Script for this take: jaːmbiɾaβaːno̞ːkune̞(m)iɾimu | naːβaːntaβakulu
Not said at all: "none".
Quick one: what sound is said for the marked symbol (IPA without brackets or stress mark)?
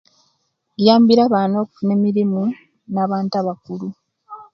m